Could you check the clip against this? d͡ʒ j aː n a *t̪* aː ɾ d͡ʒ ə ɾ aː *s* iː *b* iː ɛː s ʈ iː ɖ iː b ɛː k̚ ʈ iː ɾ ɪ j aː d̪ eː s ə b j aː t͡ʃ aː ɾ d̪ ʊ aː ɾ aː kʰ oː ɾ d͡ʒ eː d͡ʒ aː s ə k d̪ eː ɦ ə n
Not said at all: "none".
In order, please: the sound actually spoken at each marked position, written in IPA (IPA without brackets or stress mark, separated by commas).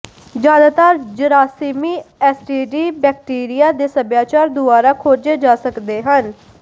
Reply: t̪, s, m